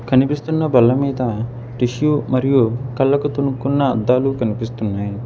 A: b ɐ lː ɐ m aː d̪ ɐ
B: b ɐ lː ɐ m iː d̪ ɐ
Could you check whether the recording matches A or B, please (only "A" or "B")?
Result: B